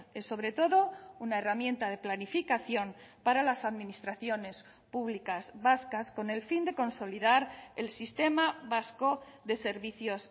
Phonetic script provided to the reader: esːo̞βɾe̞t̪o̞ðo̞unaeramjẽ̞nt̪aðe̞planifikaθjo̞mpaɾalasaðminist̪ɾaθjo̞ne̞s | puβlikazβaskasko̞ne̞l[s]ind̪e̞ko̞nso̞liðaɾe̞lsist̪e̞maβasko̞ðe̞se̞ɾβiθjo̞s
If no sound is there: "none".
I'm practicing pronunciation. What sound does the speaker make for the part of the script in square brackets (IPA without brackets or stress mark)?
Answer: f